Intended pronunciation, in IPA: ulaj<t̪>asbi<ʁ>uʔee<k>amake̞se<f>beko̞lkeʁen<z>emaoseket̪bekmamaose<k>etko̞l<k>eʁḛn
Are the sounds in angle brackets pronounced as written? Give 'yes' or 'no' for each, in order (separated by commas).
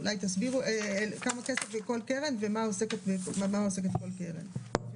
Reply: yes, yes, yes, yes, no, yes, yes